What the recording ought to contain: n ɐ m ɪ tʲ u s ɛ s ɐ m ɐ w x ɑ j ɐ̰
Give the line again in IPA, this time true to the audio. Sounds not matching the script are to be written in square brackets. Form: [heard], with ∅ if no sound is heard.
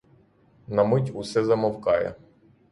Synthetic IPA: n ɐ m ɪ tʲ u s ɛ [z] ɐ m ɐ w [k] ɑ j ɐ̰